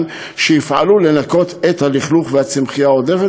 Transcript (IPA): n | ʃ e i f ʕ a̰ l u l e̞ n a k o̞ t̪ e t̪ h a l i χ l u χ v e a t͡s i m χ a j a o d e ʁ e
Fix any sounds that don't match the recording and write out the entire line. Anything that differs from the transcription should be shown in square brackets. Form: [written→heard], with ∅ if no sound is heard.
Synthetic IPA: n | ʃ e i f ʕ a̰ l u l e̞ n a k o̞ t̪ e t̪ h a l i χ l u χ v e a t͡s i m χ [a→i] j a o d e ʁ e